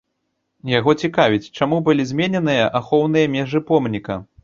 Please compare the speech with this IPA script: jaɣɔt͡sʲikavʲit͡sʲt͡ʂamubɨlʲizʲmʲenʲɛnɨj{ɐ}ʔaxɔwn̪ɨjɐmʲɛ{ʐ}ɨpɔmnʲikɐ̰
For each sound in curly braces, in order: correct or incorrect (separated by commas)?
correct, correct